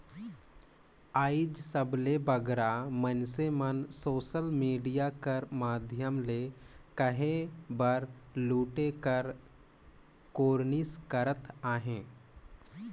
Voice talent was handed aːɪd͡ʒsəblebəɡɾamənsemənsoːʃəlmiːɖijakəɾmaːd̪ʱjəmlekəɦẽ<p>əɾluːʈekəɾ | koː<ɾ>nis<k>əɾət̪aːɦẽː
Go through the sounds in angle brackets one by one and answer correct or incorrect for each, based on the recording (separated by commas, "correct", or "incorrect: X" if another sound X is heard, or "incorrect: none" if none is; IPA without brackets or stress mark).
incorrect: b, correct, correct